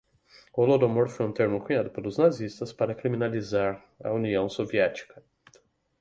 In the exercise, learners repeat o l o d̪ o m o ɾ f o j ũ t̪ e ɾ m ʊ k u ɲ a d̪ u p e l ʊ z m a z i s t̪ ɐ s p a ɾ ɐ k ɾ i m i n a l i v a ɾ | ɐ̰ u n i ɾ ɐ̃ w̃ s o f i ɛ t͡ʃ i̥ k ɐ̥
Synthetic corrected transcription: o l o d̪ o m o ɾ f o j ũ t̪ e ɾ m ʊ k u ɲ a d̪ ʊ p e l ʊ z n a z i s t̪ ɐ s p a ɾ ɐ k ɾ i m i n a l i z a ɾ | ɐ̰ u n i ɐ̃ w̃ s o v i ɛ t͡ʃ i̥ k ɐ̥

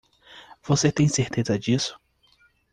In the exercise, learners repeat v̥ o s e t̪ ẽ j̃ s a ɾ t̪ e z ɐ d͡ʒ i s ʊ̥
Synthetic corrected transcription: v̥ o s e t̪ ẽ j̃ s e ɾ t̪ e z ɐ d͡ʒ i s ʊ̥

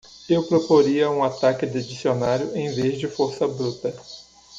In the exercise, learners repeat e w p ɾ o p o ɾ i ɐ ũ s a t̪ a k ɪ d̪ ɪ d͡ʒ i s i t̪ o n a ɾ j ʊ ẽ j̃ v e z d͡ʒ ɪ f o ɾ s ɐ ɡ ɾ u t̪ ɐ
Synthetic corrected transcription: e w p ɾ o p o ɾ i ɐ ũ a t̪ a k ɪ d̪ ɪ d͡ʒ i s i o n a ɾ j ʊ ẽ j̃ v e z d͡ʒ ɪ f o ɾ s ɐ b ɾ u t̪ ɐ

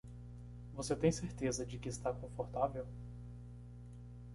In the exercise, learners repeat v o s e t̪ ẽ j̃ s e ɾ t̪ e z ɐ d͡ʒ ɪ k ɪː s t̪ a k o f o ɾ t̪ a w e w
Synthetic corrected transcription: v o s e t̪ ẽ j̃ s e ɾ t̪ e z ɐ d͡ʒ ɪ k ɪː s t̪ a k õ f o ɾ t̪ a v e w

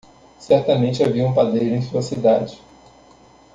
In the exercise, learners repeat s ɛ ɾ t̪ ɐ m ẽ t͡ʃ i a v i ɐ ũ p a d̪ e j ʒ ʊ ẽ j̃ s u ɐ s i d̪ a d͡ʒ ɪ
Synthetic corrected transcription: s ɛ ɾ t̪ ɐ m ẽ t͡ʃ ɪ a v i ɐ ũ p a d̪ e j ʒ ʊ ẽ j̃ s u ɐ s i d̪ a d͡ʒ ɪ

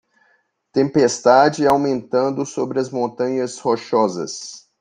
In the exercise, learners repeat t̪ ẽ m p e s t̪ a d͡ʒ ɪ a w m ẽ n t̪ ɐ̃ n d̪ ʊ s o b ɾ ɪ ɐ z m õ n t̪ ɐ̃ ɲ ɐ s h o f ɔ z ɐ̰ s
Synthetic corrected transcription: t̪ ẽ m p e s t̪ a d͡ʒ ɪ a w m ẽ n t̪ ɐ̃ n d̪ ʊ s o b ɾ ɪ ɐ z m õ n t̪ ɐ̃ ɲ ɐ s h o ʃ ɔ z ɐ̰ s

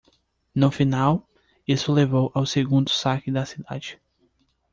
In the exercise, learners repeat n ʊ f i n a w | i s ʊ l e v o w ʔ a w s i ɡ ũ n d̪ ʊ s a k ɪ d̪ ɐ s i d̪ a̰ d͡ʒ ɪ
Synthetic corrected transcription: n ʊ f i n a w | i s ʊ l e v o w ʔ a w s e ɡ ũ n d̪ ʊ s a k ɪ d̪ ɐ s i d̪ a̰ d͡ʒ ɪ

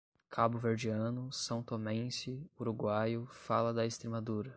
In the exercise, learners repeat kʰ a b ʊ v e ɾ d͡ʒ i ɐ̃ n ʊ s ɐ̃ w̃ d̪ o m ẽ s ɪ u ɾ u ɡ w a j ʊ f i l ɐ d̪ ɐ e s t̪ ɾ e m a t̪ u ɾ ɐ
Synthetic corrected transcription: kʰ a b ʊ v e ɾ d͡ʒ i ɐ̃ n ʊ s ɐ̃ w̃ t̪ o m ẽ s ɪ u ɾ u ɡ w a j ʊ f a l ɐ d̪ ɐ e s t̪ ɾ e m a d̪ u ɾ ɐ

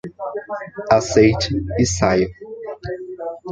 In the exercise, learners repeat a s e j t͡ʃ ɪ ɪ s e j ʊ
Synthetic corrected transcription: a s e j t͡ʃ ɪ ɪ s a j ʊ

